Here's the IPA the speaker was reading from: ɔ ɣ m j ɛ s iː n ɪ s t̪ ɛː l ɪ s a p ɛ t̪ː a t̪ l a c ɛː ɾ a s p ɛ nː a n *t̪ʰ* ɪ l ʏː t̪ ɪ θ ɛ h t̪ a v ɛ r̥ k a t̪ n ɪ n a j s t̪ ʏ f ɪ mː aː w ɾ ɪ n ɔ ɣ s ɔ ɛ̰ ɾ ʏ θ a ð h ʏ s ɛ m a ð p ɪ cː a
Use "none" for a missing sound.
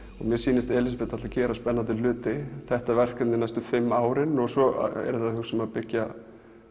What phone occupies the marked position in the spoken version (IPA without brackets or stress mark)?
t̪